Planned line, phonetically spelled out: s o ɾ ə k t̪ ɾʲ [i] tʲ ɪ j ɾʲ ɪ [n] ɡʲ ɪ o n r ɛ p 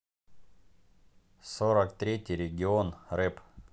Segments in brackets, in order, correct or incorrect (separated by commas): incorrect, incorrect